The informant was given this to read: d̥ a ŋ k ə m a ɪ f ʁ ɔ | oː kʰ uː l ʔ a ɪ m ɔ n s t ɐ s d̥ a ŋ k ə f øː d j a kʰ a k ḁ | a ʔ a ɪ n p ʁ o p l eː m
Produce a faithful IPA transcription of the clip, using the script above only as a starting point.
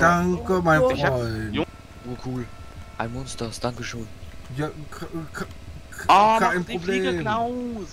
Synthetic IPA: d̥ a ŋ k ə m a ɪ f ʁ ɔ | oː kʰ uː l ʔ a ɪ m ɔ n s t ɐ s d̥ a ŋ k ə ʃ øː n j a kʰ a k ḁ | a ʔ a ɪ n p ʁ o b l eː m